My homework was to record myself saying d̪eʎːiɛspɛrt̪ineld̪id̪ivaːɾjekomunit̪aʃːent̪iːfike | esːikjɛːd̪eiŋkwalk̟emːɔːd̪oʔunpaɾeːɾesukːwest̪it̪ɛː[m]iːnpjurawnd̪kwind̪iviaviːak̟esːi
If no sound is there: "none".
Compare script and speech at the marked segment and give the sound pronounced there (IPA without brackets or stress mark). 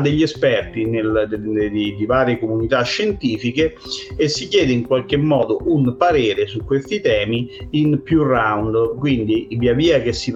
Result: m